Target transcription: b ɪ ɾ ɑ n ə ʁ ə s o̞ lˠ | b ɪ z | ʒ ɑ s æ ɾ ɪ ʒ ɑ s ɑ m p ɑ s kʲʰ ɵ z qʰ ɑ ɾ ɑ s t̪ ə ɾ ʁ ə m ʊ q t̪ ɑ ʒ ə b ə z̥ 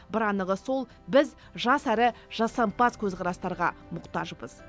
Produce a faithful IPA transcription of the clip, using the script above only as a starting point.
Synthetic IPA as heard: b ɪ ɾ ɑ n ə ʁ ə s o̞ lˠ | b ɪ z | ʒ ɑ s æ ɾ ɪ ʒ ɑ s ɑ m p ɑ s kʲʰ ɵ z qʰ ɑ ɾ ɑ s t̪ ɑ ɾ ʁ ɑ m ʊ q t̪ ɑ ʒ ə b ə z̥